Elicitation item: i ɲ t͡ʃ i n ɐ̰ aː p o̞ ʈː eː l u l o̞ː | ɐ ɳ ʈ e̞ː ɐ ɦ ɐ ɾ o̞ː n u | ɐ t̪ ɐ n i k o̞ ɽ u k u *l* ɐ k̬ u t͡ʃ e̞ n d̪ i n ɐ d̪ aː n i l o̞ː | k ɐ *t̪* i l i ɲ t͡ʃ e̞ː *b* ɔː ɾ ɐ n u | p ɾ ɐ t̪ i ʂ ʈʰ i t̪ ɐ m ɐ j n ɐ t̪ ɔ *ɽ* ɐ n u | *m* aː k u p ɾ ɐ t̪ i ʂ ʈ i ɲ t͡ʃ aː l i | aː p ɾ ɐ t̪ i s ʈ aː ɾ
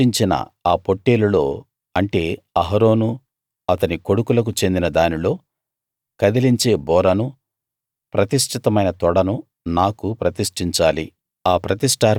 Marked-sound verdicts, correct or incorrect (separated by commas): correct, incorrect, correct, correct, incorrect